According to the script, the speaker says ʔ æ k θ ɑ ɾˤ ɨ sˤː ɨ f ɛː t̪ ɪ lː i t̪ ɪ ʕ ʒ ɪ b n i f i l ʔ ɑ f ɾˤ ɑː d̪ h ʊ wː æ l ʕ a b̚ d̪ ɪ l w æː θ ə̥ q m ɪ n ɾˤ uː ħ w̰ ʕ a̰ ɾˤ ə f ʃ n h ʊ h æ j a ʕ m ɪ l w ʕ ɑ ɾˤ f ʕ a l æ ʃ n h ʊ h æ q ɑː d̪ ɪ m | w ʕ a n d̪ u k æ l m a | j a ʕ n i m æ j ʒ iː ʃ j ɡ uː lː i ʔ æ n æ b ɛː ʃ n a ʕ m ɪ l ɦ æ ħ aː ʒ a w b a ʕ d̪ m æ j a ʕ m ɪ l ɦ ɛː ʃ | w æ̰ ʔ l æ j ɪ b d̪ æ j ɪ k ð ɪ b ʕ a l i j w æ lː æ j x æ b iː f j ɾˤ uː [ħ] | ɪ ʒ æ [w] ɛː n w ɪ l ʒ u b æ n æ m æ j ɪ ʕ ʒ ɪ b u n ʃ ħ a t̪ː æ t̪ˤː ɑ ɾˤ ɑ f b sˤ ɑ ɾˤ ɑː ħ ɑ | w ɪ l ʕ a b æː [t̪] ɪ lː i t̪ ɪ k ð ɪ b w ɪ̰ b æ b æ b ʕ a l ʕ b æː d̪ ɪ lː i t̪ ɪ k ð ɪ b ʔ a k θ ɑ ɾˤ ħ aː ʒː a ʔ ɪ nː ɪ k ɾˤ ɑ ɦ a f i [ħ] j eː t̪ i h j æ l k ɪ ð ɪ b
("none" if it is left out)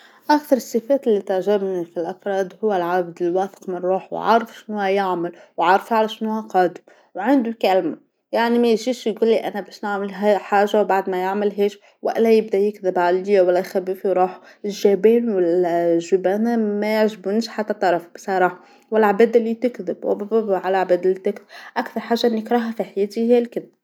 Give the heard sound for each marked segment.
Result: ħ, b, d̪, ħ

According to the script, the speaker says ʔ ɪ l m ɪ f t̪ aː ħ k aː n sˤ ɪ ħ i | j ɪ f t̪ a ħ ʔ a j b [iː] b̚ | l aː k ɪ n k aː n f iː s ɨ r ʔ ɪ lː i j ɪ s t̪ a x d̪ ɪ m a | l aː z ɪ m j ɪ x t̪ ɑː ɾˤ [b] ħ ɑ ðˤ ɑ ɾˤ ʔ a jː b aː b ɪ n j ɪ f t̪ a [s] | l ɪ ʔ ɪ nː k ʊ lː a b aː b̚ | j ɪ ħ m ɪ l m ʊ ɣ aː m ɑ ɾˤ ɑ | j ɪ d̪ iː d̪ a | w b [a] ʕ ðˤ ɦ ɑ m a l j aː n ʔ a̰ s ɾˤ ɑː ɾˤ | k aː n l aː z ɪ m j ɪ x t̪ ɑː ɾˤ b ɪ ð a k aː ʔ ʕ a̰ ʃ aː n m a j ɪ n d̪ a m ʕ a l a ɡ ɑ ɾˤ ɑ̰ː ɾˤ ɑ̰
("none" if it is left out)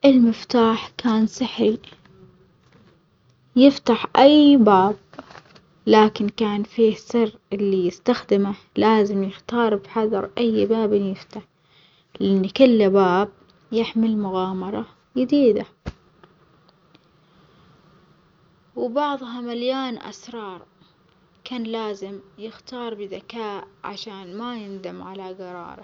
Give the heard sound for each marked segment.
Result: aː, b, ħ, ɑ

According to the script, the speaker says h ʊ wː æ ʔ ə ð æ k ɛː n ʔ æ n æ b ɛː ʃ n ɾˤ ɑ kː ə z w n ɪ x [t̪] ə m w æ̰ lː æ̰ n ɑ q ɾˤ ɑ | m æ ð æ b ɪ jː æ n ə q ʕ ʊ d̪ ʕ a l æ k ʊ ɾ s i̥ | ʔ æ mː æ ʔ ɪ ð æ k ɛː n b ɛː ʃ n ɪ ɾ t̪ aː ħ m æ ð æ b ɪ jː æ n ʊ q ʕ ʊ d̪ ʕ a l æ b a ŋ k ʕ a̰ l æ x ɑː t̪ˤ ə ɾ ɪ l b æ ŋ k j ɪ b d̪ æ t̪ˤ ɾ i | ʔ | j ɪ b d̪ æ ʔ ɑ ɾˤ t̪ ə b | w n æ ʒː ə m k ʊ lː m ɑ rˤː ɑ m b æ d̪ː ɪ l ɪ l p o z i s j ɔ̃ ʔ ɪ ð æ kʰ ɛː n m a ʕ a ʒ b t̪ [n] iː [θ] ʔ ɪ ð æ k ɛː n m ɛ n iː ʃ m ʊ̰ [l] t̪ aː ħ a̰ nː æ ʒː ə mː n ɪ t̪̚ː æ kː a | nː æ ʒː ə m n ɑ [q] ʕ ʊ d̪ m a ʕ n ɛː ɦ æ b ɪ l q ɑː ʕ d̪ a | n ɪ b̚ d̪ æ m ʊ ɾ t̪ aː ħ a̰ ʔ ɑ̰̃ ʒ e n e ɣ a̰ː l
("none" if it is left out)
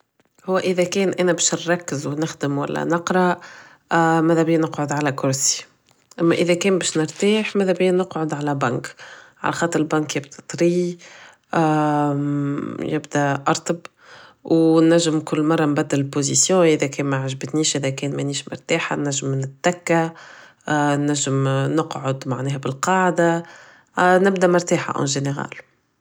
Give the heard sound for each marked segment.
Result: d̪, n, ʃ, ɾ, q

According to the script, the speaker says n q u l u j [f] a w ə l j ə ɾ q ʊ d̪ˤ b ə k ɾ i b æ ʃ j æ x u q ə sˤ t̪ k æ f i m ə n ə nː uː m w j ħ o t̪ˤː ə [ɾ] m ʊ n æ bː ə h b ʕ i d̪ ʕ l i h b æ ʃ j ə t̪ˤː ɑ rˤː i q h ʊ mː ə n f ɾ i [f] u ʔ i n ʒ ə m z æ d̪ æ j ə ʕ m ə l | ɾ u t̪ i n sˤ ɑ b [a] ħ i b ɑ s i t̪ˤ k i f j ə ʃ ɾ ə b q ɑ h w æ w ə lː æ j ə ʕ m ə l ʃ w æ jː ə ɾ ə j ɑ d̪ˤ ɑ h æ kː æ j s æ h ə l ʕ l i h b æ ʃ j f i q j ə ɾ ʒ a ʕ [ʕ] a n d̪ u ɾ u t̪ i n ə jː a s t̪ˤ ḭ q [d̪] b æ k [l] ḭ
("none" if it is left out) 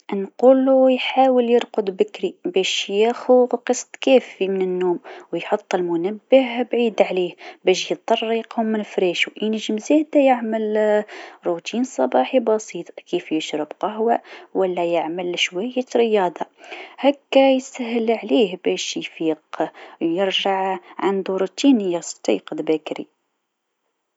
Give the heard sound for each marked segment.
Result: ħ, l, ʃ, ɑ, ʕ, d̪, ɾ

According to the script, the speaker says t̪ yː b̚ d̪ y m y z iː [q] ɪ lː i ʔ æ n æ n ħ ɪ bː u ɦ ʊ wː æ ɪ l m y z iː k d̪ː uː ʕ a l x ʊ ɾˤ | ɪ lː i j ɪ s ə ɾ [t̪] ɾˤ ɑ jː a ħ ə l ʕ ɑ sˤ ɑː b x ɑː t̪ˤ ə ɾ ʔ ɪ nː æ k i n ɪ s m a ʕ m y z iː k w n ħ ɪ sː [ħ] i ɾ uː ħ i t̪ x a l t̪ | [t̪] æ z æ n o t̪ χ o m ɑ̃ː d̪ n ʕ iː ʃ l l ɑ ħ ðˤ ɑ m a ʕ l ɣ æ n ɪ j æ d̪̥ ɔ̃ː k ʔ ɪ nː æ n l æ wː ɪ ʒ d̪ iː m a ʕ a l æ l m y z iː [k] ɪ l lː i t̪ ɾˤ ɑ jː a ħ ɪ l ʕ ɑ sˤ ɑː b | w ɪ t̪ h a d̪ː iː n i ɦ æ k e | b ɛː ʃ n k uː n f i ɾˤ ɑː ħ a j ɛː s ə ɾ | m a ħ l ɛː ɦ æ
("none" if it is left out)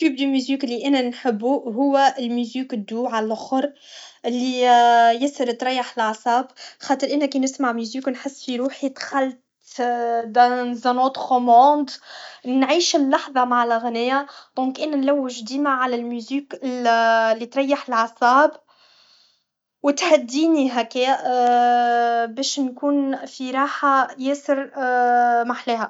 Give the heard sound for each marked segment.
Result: k, t̪, f, d̪, k

